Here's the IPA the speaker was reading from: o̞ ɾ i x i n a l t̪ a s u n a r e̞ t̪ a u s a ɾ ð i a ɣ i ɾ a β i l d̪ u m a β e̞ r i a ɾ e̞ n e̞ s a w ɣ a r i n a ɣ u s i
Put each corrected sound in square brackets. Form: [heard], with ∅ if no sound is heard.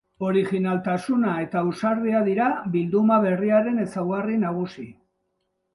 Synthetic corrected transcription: o̞ ɾ i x i n a l t̪ a s u n a [∅] e̞ t̪ a u s a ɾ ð i a [ð] i ɾ a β i l d̪ u m a β e̞ r i a ɾ e̞ n e̞ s a w ɣ a r i n a ɣ u s i